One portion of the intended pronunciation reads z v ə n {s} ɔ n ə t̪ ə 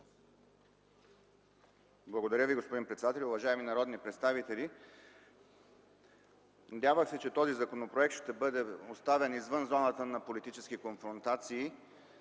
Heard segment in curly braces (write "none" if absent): z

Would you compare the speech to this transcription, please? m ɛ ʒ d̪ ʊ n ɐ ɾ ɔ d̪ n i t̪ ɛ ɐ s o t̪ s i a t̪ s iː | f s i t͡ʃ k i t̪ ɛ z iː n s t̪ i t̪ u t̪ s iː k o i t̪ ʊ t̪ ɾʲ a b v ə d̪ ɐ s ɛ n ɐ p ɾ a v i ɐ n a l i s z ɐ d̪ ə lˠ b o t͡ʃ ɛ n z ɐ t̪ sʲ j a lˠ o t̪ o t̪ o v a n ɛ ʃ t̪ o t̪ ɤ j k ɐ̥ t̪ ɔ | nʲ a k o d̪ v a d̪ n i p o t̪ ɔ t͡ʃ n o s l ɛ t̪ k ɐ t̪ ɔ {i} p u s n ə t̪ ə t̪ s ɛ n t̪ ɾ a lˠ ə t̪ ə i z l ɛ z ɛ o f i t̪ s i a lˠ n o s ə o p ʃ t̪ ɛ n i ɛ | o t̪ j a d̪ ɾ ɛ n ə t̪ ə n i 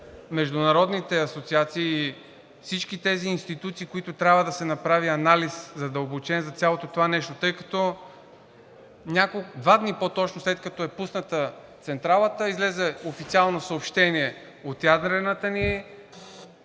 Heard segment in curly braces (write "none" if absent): ɛ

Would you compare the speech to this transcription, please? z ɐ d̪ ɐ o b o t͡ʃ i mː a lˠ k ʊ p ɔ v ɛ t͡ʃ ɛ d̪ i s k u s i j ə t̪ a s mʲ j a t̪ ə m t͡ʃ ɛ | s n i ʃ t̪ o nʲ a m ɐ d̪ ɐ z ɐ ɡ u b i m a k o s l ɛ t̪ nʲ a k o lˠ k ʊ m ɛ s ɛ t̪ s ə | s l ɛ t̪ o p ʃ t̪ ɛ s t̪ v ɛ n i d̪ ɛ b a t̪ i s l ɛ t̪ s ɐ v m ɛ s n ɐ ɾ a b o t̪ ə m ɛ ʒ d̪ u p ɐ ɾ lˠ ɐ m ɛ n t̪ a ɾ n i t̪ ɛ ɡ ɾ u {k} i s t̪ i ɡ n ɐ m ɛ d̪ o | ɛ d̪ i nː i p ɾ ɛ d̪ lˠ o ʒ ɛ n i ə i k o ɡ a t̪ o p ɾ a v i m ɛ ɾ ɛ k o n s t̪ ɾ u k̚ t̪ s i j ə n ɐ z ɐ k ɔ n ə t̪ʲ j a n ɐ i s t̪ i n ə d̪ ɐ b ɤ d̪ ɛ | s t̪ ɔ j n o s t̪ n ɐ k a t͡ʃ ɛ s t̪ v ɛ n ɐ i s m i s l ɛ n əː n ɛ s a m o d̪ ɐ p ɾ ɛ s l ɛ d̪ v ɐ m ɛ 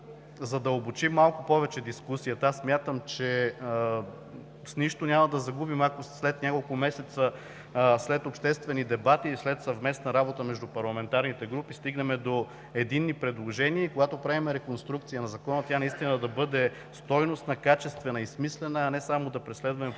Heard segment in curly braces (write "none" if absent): p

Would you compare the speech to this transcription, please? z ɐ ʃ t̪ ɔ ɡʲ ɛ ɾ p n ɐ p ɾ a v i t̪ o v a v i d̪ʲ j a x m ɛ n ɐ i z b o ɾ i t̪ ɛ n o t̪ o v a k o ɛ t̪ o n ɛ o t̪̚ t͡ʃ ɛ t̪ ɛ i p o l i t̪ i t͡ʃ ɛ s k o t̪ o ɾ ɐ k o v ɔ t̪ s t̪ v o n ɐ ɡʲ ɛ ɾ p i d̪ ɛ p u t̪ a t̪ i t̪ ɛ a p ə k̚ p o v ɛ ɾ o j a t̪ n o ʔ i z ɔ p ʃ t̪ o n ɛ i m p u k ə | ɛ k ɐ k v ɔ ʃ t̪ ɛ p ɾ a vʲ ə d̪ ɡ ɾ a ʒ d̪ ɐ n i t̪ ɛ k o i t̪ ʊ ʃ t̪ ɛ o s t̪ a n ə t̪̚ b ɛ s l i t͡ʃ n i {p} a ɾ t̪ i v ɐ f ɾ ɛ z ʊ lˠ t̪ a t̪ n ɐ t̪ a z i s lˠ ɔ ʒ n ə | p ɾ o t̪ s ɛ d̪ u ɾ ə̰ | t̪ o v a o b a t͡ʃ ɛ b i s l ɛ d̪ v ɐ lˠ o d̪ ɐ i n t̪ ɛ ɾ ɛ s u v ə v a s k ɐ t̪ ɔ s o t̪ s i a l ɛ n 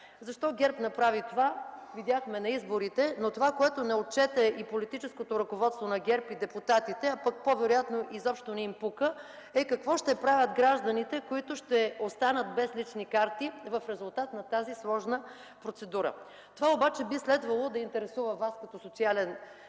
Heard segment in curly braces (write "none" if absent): k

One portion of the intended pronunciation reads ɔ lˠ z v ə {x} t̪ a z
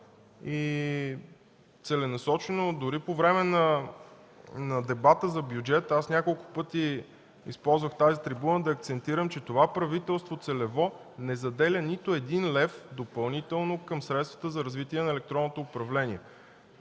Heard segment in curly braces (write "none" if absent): x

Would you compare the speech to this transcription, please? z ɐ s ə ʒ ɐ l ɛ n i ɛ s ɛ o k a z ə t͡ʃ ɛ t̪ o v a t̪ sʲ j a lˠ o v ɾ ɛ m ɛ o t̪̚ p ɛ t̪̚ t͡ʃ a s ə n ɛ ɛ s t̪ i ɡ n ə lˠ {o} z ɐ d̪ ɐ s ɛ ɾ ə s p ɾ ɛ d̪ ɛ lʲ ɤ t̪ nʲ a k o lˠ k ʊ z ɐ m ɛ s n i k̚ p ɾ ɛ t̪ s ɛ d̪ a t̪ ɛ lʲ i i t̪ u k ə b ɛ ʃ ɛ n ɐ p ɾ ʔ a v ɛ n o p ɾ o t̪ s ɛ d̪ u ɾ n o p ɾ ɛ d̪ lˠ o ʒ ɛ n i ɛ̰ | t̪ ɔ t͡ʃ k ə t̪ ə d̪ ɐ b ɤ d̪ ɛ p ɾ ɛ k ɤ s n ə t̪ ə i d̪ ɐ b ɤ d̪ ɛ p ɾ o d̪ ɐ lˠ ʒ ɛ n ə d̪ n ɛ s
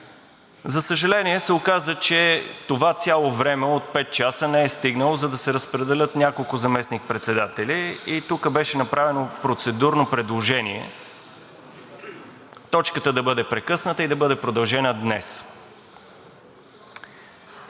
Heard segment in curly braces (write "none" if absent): o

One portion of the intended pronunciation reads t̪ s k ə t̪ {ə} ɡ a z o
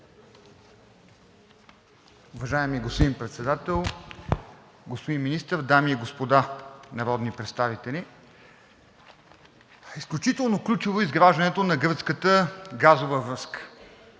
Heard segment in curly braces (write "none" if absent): ə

